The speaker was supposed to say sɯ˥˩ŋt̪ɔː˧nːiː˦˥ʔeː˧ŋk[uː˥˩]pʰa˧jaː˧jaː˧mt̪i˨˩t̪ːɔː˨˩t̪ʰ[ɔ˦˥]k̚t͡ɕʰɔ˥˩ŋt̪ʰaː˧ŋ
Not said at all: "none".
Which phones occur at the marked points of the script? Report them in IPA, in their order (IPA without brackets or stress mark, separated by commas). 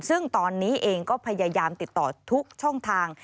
ɔː˥˩, u˦˥